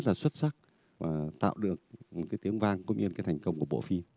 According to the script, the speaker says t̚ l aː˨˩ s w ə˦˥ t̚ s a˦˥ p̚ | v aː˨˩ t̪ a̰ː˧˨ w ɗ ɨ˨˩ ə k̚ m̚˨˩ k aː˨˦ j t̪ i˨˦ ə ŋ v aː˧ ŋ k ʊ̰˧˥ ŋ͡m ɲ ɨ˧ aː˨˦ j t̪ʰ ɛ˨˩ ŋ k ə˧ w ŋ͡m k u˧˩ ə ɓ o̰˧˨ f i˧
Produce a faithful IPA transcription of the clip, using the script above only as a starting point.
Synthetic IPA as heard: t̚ l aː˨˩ s w ə˦˥ t̚ s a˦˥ k̚ | v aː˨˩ t̪ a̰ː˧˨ w ɗ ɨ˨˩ ə k̚ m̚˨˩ k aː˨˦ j t̪ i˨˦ ə ŋ v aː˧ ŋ k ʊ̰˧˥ ŋ͡m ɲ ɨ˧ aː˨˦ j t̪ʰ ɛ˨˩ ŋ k ə˧ w ŋ͡m k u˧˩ ə ɓ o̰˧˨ f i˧